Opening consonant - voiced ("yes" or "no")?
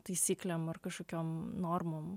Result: no